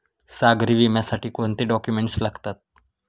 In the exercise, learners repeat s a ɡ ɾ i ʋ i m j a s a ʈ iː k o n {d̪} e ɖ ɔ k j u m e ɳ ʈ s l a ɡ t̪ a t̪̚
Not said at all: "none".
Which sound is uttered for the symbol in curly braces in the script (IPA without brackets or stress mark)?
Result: t̪